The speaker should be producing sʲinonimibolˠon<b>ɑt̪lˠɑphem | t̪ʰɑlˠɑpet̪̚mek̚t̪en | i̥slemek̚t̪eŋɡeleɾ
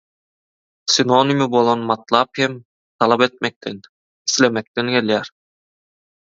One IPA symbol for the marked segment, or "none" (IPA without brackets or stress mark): m